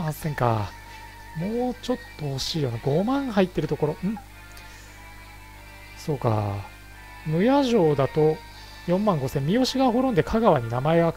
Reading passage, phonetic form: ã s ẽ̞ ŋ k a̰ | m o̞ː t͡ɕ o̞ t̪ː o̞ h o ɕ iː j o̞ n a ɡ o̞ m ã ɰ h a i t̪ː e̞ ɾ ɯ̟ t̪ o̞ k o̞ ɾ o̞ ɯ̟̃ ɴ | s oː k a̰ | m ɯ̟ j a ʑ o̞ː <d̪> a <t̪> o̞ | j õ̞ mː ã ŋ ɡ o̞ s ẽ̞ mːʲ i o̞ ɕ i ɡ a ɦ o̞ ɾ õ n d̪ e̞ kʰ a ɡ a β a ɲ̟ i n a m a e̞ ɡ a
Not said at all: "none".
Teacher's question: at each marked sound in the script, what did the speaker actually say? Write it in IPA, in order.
d̪, t̪

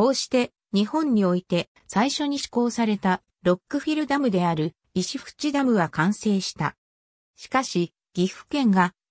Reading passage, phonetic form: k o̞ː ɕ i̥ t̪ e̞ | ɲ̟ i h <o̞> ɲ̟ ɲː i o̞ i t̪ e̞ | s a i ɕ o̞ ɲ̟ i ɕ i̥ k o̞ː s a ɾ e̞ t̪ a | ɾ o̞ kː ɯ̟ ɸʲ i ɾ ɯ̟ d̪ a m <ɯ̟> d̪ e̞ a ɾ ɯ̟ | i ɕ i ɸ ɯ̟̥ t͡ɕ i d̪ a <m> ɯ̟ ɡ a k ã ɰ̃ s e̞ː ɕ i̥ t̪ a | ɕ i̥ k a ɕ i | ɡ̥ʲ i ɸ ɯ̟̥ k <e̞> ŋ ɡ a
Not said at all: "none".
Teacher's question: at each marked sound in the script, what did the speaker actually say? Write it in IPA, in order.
õ̞, ɯ̟, m, ẽ̞

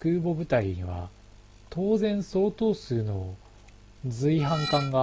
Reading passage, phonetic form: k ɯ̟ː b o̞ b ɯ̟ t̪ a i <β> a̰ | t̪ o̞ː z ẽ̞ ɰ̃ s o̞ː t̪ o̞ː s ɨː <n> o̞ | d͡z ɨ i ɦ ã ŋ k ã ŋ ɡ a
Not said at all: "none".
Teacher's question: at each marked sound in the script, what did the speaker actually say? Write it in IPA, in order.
β, n

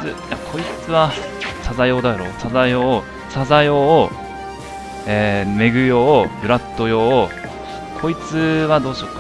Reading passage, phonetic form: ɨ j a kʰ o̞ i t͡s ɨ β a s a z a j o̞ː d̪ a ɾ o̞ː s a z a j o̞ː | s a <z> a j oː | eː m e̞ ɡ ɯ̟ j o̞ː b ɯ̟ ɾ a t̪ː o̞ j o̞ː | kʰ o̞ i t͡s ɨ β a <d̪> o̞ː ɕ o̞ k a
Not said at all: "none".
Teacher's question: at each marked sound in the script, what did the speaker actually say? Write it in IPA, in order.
z, d̪

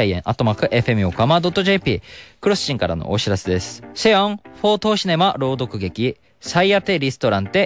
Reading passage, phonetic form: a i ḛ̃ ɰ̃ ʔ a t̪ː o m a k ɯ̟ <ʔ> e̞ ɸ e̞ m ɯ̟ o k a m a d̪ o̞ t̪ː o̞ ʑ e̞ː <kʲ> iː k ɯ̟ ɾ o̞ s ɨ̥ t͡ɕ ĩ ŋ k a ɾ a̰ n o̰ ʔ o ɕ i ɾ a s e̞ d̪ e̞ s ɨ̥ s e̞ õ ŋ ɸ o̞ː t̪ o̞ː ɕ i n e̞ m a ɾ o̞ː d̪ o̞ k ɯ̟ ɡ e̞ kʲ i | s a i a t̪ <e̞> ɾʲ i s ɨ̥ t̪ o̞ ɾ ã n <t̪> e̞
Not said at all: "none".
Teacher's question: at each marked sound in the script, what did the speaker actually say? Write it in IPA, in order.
ʔ, pʲ, e̞, t̪

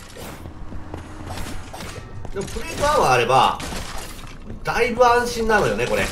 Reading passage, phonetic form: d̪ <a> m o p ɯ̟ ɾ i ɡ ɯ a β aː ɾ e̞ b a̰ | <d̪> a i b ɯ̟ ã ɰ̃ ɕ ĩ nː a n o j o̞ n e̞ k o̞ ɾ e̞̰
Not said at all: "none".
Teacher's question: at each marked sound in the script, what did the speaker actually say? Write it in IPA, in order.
e, d̪

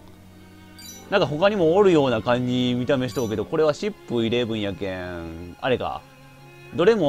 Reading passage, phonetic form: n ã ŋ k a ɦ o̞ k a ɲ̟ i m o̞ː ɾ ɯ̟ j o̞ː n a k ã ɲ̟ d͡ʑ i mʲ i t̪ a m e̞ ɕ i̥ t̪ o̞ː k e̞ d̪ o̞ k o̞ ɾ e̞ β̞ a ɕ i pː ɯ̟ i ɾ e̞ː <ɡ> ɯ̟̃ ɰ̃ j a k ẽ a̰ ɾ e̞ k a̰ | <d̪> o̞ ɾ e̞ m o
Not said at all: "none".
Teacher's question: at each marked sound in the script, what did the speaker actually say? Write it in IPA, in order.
b, d̪

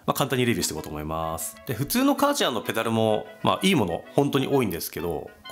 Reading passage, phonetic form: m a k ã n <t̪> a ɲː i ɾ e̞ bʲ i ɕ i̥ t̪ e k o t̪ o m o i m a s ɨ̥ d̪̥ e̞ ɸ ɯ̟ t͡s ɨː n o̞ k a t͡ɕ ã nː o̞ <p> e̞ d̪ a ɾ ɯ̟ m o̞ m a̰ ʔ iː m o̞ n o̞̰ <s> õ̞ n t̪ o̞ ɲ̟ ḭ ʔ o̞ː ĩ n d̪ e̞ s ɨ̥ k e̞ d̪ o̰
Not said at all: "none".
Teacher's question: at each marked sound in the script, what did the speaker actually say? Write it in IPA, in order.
t̪, p, h

